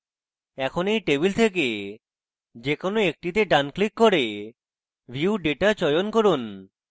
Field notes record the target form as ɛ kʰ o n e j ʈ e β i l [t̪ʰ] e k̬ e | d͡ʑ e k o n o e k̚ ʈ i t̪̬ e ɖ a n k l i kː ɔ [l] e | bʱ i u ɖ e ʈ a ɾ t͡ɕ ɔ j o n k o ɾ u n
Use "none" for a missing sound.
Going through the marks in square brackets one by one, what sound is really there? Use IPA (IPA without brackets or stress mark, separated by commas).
t̪ʰ, ɾ